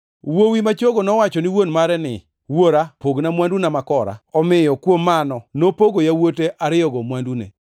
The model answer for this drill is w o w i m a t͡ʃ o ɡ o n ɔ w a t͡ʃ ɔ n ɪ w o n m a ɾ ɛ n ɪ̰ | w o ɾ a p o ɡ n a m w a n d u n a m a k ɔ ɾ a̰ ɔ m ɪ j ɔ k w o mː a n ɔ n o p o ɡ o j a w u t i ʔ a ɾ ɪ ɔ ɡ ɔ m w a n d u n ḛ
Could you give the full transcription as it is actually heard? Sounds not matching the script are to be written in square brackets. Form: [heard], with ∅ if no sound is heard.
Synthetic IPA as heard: w o w i m a t͡ʃ o ɡ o n ɔ w a t͡ʃ ɔ n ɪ w o n m a ɾ ɛ n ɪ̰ | w o ɾ a p o ɡ n a m w a n d u n a m a k ɔ ɾ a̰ ɔ m ɪ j ɔ k w o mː a n ɔ n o p o ɡ o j a w [o] t [e] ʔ a ɾ ɪ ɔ ɡ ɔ m w a n d u n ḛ